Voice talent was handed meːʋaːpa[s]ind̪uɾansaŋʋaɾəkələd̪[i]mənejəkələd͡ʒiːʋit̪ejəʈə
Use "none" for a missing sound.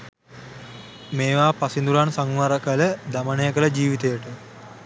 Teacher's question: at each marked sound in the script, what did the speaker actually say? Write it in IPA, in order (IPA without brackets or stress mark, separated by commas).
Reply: s, a